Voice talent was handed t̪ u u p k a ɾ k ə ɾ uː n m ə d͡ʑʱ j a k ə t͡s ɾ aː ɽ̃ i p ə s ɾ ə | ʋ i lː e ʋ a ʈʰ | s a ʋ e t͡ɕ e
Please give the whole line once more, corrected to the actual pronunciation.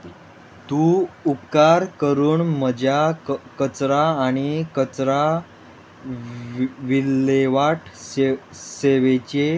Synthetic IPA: t̪ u u p k a ɾ k ə ɾ uː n m ə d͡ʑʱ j a k ə t͡s ɾ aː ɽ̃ i k ə t͡s ɾ a | ʋ i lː e ʋ a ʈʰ | s e ʋ e t͡ɕ e